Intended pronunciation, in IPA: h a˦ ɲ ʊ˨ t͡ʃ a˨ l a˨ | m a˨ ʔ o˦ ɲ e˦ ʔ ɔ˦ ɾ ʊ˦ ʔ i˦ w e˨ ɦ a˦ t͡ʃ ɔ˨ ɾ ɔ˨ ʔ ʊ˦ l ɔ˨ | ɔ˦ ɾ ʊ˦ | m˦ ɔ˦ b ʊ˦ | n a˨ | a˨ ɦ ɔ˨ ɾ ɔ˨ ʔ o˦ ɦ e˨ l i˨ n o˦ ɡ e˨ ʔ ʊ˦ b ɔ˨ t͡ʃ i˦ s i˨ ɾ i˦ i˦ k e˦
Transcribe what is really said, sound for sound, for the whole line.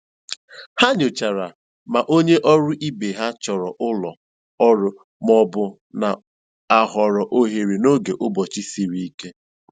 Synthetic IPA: h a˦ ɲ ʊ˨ t͡ʃ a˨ ɾ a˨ | m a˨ ʔ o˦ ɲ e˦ ʔ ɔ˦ ɾ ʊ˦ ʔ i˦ b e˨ ɦ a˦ t͡ʃ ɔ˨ ɾ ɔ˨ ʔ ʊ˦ l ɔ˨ | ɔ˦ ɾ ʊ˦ | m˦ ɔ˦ b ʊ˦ | n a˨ | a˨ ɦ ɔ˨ ɾ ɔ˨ ʔ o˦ ɦ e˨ ɾ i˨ n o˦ ɡ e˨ ʔ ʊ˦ b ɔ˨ t͡ʃ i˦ s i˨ ɾ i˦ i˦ k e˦